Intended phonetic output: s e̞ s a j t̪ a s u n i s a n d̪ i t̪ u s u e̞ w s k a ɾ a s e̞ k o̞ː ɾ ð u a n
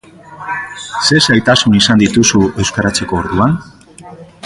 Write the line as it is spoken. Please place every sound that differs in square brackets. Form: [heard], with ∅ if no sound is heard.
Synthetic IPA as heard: s e̞ s a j t̪ a s u n i s a n d̪ i t̪ u s u e̞ w s k a ɾ a [t͡s] e̞ k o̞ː ɾ ð u a n